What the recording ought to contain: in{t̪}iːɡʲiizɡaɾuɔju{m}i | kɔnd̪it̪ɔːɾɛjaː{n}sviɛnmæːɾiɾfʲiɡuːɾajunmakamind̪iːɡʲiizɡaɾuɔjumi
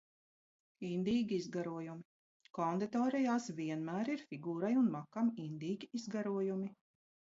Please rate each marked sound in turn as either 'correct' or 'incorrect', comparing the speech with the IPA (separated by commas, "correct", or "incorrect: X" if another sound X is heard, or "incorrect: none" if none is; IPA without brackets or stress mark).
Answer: incorrect: d̪, correct, incorrect: none